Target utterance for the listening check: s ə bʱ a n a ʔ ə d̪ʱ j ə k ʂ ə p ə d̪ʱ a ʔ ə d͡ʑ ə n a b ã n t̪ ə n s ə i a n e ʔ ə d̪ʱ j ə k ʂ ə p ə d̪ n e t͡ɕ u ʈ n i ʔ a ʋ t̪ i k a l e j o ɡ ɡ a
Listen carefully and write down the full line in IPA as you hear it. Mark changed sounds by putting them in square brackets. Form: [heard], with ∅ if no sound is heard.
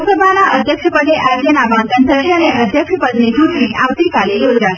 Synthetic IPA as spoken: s ə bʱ a n a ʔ ə d̪ʱ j ə k ʂ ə p ə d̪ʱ [e] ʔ [a] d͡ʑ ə n a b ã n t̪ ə n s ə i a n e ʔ ə d̪ʱ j ə k ʂ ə p ə d̪ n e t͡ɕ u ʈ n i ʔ a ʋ t̪ i k a l e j o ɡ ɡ a